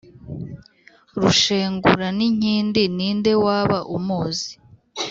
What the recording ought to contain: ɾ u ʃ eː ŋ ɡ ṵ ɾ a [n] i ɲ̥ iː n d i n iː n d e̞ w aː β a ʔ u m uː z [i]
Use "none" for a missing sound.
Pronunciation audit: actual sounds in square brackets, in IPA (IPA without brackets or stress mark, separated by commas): n, i